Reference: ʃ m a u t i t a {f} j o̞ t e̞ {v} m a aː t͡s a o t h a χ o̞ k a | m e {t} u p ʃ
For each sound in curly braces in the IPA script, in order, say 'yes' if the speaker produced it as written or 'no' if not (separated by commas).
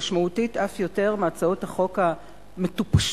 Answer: yes, no, yes